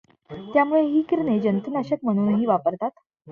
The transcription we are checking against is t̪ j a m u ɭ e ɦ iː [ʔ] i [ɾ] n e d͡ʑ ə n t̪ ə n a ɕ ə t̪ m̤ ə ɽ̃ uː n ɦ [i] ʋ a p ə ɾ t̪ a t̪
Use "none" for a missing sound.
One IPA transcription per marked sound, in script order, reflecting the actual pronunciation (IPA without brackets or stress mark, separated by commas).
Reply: k, ɾ, iː